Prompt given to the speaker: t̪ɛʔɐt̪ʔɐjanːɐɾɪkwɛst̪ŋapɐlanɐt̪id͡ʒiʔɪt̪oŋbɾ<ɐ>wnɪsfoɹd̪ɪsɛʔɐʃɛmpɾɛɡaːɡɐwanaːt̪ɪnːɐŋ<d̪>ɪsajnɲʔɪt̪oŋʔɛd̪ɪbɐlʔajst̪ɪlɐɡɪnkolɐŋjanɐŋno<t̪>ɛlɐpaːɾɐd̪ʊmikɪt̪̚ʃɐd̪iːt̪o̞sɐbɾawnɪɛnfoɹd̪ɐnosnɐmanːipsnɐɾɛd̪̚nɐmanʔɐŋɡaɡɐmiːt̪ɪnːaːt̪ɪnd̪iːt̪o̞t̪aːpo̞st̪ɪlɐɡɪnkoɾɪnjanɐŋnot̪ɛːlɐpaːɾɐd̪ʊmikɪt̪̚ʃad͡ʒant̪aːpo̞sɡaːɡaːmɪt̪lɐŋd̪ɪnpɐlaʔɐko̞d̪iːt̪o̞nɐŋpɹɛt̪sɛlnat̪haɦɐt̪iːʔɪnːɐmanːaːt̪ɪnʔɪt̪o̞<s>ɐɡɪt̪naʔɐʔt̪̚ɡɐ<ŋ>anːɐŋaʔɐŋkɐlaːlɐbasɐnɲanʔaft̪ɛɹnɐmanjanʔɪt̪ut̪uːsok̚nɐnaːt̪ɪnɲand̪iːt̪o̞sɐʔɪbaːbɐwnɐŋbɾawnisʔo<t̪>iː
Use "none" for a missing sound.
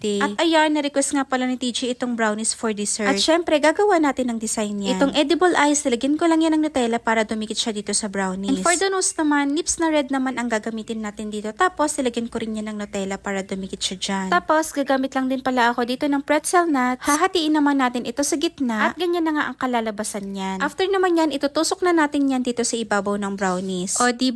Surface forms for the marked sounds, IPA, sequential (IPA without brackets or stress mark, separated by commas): a, d̪, t̪, s, ɲ, d̪